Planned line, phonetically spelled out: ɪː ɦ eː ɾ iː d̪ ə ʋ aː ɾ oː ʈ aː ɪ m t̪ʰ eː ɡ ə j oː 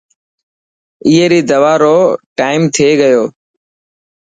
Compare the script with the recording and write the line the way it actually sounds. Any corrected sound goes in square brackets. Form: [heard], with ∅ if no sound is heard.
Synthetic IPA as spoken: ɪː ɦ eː ɾ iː d̪ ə ʋ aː ɾ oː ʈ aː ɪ m t̪ʰ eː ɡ ə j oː